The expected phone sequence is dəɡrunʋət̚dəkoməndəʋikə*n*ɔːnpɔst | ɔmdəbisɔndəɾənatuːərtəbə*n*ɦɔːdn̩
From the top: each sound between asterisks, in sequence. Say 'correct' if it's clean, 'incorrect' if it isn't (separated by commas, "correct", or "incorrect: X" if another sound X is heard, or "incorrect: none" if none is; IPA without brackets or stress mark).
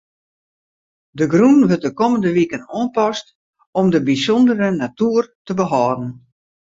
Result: correct, incorrect: none